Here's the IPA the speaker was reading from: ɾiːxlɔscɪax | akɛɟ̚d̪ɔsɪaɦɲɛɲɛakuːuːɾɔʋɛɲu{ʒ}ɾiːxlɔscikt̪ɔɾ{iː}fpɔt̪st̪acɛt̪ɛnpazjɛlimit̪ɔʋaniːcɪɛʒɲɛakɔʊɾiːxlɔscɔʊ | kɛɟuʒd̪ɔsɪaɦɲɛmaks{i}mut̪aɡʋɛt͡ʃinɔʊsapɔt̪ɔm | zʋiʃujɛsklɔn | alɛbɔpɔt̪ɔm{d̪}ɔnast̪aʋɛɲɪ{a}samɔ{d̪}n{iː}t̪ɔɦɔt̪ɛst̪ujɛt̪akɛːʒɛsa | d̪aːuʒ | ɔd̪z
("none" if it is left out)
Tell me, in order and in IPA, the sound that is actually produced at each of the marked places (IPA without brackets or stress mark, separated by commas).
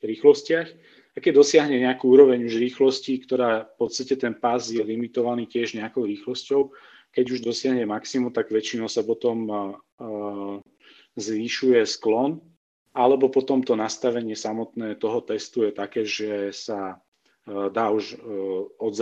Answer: ʒ, aː, i, t̪, ɛ, t̪, ɛː